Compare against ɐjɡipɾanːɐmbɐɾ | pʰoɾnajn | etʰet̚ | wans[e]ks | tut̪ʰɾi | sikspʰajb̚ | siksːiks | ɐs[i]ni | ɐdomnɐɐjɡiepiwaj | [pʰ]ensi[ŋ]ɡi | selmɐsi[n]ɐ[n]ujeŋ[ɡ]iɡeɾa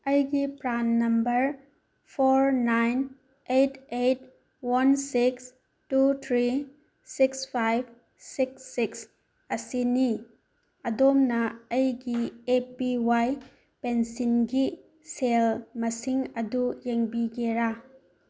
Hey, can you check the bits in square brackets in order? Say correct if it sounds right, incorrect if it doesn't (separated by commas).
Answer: incorrect, correct, incorrect, incorrect, incorrect, incorrect, incorrect